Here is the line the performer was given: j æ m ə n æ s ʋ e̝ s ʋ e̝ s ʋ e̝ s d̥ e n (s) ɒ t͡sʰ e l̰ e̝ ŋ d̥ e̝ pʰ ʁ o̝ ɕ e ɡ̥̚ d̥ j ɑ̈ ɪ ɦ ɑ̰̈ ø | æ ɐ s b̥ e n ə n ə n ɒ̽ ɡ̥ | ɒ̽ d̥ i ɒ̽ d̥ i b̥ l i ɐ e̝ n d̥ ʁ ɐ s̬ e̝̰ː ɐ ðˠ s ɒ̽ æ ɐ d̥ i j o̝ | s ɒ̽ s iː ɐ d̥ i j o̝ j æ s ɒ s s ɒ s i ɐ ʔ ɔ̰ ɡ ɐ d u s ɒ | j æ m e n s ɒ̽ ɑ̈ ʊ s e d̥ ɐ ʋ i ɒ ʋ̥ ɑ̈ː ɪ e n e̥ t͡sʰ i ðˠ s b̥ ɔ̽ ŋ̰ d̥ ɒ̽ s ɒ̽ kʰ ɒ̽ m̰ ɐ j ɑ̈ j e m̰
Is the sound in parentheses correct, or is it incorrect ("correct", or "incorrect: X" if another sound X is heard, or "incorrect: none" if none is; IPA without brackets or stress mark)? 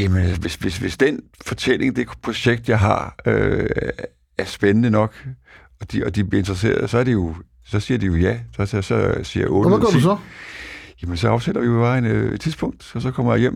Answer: incorrect: f